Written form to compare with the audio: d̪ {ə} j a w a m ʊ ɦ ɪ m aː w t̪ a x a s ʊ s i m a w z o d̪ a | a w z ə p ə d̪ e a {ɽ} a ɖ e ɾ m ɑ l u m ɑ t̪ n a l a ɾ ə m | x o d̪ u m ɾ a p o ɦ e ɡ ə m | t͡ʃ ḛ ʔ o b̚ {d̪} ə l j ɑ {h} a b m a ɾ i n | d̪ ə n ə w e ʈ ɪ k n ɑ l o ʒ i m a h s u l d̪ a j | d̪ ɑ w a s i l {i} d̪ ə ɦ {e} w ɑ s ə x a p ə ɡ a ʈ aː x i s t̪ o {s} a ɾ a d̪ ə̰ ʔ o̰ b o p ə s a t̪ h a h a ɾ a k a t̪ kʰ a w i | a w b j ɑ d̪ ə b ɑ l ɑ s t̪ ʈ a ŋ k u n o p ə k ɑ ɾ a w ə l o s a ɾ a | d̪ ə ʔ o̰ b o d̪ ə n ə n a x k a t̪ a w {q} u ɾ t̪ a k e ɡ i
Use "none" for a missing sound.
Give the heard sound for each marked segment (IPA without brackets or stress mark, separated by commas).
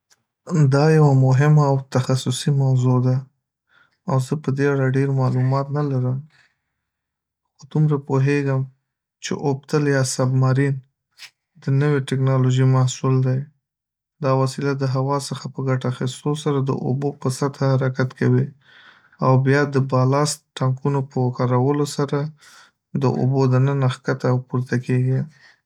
ɑ, ɽ, t̪, s, a, a, s, p